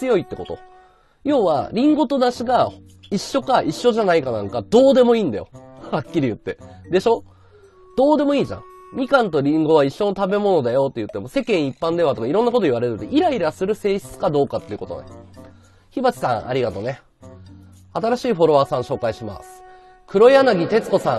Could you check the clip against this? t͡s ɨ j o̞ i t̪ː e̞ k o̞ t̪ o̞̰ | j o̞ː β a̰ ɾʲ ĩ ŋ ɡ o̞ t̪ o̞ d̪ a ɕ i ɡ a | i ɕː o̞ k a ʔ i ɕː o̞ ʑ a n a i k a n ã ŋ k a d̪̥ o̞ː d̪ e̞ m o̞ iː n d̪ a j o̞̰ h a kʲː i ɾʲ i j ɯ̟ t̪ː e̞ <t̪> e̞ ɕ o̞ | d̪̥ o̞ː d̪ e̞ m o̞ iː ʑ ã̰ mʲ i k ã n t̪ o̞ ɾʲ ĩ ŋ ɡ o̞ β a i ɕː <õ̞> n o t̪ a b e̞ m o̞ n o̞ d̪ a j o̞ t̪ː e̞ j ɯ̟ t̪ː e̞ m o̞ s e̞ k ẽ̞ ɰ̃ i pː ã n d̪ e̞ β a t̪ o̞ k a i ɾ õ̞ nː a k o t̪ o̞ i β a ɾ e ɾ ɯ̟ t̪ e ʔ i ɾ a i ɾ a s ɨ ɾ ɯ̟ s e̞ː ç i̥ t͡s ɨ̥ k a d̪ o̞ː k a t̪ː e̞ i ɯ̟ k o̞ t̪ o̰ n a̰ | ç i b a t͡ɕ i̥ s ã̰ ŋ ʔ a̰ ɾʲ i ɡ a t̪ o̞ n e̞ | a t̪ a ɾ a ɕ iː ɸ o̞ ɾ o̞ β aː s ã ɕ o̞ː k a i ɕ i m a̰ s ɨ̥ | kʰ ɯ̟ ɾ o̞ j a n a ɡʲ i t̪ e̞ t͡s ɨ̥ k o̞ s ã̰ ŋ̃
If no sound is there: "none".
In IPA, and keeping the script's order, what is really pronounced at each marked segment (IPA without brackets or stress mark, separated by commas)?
d̪, o̞